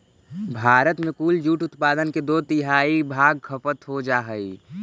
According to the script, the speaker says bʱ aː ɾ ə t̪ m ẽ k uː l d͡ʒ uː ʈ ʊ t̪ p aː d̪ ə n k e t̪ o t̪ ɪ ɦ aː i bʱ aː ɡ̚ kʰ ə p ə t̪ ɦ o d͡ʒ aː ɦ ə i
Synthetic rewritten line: bʱ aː ɾ ə t̪ m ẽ k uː l d͡ʒ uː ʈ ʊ t̪ p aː d̪ ə n k e d̪ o t̪ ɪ ɦ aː i bʱ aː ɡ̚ kʰ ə p ə t̪ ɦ o d͡ʒ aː ɦ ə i